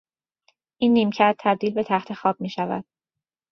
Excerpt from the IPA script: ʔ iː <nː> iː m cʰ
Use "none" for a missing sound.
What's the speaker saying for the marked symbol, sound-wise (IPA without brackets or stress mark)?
nː